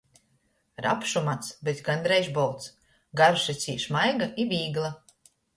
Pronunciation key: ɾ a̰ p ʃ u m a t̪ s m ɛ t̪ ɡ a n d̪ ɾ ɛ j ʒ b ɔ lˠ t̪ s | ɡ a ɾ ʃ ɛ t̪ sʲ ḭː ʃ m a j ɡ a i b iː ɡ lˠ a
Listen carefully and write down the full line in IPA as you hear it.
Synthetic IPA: ɾ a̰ p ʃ u m a t̪ s b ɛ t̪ ɡ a n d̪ ɾ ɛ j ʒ b ɔ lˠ t̪ s | ɡ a ɾ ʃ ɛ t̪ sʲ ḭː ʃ m a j ɡ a i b iː ɡ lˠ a